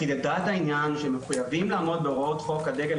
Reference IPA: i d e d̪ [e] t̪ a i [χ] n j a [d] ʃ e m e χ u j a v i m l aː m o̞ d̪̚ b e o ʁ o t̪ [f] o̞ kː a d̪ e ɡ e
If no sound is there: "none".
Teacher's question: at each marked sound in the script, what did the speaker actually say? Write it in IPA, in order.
a, none, n, χ

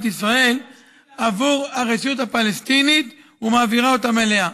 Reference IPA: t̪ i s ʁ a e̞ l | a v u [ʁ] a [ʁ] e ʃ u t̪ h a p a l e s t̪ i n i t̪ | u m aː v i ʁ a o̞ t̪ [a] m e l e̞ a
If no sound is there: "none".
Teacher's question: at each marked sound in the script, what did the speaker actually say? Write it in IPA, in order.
ʁ, ʁ, a

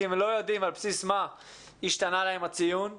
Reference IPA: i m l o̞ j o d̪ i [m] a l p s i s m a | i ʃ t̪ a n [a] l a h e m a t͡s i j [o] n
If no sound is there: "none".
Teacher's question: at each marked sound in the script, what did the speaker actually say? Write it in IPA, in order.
m, a, u

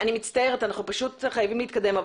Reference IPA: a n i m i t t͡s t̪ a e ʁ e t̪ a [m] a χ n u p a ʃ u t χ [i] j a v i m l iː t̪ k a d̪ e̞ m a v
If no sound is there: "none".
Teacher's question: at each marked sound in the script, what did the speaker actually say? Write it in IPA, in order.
n, a

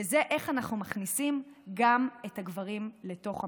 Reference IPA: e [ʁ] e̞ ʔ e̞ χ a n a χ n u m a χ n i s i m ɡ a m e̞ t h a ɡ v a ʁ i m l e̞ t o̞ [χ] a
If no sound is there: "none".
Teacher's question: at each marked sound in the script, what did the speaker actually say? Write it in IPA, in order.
z, χ

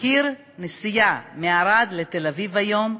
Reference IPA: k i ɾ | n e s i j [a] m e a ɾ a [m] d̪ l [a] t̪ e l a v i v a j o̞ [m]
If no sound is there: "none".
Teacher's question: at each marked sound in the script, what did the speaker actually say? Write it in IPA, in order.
a, none, e, m

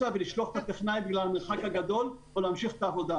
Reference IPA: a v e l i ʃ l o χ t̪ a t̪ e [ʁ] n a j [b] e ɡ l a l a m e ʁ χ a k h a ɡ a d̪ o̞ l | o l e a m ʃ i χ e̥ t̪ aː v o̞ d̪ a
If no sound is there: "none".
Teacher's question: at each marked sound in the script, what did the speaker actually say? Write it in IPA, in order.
χ, b

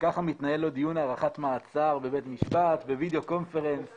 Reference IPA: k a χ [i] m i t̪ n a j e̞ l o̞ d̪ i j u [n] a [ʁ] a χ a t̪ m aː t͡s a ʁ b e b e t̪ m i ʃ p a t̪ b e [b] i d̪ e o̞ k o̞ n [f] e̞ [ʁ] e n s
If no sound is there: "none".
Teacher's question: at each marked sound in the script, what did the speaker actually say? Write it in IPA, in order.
a, n, ʁ, v, f, ʁ

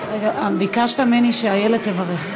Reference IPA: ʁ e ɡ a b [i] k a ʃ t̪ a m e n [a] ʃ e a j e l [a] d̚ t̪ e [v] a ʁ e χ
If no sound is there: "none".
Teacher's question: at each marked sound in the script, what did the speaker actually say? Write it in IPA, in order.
i, i, e, v

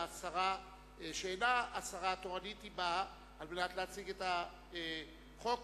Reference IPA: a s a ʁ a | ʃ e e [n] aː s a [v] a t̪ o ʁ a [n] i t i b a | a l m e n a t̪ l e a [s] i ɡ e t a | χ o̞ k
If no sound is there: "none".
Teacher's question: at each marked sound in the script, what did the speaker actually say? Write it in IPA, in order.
n, ʁ, n, t͡s

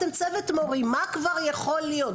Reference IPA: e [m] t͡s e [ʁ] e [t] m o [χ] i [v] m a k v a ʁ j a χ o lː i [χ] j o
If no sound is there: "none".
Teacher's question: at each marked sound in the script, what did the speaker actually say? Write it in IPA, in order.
m, v, t, ʁ, none, none

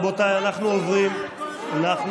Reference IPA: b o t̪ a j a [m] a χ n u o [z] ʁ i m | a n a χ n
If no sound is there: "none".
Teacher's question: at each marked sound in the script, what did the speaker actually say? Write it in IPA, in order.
n, v

